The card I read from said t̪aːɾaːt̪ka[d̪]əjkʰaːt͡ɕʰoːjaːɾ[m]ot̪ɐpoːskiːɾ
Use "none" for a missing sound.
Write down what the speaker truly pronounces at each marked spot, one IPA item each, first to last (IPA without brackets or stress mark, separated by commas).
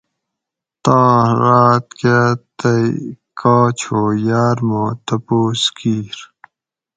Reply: t̪, m